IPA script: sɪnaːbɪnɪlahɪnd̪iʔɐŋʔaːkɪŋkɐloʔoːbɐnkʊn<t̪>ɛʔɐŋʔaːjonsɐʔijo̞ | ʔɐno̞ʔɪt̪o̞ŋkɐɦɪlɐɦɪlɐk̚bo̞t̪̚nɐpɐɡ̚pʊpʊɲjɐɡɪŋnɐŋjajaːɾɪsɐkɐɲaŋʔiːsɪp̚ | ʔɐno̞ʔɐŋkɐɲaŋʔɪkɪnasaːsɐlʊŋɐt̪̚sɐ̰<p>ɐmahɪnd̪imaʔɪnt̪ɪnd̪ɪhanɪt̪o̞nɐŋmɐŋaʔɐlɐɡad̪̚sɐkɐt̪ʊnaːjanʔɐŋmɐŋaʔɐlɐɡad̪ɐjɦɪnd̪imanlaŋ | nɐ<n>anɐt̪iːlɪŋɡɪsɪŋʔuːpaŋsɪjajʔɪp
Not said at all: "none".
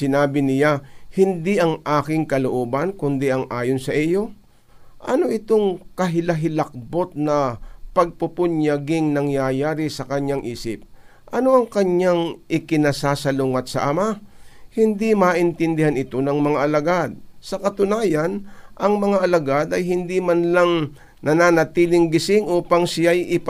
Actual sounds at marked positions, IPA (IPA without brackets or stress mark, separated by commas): d̪, ʔ, n